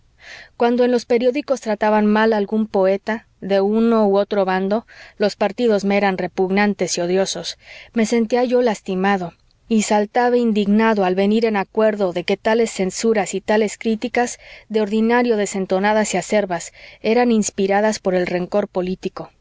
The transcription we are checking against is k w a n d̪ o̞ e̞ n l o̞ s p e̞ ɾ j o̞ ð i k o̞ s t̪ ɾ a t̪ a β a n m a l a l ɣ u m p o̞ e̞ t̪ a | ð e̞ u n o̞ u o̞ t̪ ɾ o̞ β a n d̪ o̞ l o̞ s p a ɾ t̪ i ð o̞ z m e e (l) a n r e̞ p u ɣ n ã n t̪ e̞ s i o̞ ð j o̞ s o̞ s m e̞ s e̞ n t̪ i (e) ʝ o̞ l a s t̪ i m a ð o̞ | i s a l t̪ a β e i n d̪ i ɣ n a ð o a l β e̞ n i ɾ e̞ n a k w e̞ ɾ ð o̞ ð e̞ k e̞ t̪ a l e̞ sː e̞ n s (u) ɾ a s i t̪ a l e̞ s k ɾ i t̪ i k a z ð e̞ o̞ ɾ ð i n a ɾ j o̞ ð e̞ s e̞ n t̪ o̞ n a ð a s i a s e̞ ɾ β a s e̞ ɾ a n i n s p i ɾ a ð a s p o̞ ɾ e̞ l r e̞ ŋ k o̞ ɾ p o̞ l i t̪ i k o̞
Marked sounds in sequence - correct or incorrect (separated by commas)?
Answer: incorrect, incorrect, correct